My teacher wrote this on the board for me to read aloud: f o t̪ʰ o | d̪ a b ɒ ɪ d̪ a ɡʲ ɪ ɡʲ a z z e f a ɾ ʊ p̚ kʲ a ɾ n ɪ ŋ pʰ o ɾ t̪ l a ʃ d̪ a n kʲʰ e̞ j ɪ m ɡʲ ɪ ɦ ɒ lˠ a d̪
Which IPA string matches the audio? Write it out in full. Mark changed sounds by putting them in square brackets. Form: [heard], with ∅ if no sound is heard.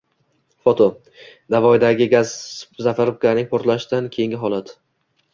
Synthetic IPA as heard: f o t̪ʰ o | d̪ a [v] ɒ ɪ d̪ a ɡʲ ɪ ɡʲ a z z [a] f a ɾ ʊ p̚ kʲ a ɾ n ɪ ŋ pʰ o ɾ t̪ l a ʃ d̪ a n kʲʰ e̞ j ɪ [ŋ] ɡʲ ɪ ɦ ɒ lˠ a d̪